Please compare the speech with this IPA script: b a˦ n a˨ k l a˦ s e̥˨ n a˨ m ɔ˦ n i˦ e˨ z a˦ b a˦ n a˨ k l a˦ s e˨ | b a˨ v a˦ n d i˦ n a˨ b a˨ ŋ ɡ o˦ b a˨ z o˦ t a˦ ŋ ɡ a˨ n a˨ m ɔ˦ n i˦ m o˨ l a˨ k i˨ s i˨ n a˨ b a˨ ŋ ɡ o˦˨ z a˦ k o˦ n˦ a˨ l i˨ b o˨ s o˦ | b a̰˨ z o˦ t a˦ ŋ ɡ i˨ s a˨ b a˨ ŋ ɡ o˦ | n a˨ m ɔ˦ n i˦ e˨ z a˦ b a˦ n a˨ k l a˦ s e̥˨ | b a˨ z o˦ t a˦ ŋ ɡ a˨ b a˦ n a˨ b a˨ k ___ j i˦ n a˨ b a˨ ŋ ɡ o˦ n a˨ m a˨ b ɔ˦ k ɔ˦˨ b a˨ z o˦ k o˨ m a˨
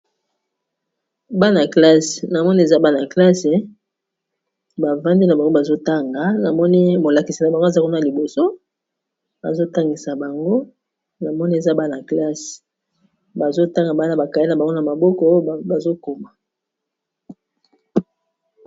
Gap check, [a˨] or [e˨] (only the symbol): a˨